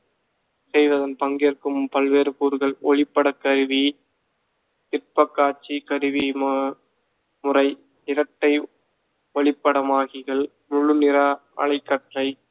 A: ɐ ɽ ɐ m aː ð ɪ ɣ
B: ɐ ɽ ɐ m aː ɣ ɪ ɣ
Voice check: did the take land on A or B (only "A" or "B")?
B